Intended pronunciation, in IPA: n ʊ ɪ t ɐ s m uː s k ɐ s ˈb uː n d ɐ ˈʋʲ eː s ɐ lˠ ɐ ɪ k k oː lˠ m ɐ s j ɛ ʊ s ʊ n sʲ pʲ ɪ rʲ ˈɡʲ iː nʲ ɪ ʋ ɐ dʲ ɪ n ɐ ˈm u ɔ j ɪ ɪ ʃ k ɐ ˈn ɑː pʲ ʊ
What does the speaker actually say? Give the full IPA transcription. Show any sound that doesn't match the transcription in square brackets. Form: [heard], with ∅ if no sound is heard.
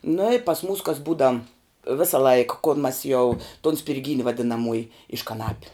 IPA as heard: n ʊ ɪ [p] ɐ s m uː s k ɐ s ˈb uː [∅] d ɐ ˈʋʲ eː s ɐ lˠ ɐ ɪ k k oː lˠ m ɐ s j ɛ ʊ [t] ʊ n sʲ pʲ ɪ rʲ ˈɡʲ iː nʲ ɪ ʋ ɐ dʲ ɪ n ɐ ˈm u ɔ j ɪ ɪ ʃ k ɐ ˈn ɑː pʲ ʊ